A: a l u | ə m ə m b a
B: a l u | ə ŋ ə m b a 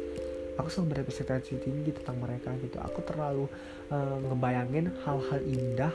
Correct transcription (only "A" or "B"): B